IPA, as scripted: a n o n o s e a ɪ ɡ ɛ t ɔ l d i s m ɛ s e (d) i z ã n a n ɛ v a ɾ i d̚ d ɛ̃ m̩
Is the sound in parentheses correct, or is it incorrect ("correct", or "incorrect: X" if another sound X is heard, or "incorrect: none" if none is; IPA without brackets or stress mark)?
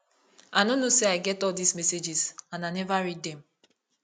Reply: incorrect: d͡ʒ